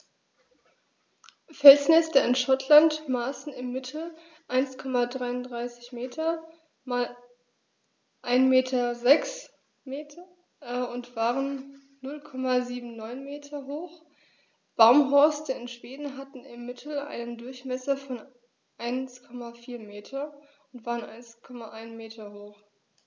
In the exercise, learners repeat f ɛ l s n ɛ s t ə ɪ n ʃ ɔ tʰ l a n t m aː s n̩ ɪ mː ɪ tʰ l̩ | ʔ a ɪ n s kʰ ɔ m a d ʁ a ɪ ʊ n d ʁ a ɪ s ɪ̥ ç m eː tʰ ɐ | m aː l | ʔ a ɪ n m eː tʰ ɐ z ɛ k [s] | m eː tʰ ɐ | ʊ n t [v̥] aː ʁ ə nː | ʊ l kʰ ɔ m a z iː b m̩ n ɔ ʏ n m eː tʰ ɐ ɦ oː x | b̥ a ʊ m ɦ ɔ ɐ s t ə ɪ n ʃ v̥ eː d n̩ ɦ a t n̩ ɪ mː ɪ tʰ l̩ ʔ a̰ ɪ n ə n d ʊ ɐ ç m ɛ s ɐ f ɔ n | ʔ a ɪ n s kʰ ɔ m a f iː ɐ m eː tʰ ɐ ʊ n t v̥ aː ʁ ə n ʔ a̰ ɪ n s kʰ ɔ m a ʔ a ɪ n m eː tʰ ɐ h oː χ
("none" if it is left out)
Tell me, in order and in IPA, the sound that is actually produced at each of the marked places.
s, v̥

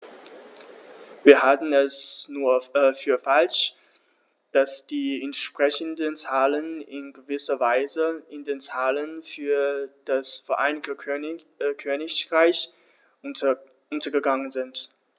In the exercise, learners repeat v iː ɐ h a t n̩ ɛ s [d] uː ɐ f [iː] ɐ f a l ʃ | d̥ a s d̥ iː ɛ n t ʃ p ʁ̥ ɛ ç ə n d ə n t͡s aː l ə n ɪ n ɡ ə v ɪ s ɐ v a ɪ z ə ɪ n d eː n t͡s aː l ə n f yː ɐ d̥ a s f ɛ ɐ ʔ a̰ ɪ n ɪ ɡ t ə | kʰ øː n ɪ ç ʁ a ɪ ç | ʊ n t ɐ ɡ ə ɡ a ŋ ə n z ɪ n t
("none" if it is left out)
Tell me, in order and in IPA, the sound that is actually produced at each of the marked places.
n, yː

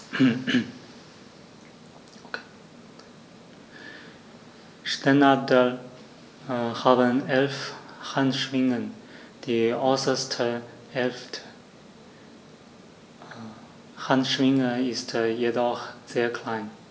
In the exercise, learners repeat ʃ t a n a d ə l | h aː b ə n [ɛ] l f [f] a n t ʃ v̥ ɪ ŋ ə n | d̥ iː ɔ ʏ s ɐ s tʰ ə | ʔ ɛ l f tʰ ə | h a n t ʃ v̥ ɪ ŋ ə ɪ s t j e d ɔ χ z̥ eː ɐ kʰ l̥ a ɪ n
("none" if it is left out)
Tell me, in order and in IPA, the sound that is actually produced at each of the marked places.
ɛ, h

